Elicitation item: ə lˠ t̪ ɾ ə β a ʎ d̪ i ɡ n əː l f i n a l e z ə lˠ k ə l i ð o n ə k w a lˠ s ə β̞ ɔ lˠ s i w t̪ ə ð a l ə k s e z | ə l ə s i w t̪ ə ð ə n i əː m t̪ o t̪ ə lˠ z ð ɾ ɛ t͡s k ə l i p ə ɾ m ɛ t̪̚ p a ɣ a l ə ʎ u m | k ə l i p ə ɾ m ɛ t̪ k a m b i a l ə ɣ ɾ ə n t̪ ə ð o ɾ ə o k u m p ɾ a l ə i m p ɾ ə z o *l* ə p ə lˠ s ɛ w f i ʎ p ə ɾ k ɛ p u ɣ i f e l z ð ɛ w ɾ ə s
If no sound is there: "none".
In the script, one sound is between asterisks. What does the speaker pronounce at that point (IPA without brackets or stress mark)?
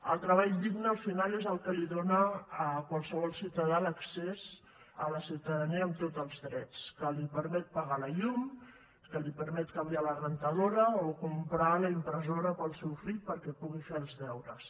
ɾ